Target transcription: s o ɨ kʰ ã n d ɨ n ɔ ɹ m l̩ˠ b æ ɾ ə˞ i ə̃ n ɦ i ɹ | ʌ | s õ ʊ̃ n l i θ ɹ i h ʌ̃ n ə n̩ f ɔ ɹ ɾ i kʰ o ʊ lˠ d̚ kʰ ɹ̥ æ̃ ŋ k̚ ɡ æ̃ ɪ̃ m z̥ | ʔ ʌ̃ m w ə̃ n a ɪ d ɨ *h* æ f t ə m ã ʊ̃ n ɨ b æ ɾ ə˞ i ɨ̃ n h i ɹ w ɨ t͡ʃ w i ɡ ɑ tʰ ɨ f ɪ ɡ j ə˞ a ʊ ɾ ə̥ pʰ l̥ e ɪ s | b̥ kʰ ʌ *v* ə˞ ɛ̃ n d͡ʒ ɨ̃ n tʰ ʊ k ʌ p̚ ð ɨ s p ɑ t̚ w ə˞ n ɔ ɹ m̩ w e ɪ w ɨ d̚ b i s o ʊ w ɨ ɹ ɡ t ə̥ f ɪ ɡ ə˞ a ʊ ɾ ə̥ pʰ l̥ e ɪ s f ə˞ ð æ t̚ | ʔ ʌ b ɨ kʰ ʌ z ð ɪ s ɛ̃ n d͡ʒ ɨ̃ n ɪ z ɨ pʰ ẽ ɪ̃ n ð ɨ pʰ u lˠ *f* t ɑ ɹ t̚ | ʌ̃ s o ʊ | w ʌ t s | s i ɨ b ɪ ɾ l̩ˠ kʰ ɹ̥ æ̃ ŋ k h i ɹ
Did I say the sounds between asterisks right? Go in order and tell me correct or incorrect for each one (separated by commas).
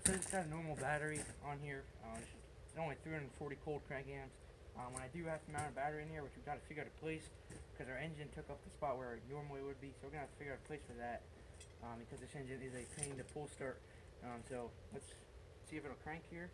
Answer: correct, incorrect, incorrect